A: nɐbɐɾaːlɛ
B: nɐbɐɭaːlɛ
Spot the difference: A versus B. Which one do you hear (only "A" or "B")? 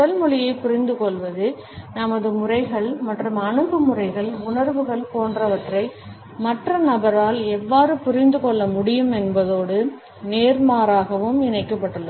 A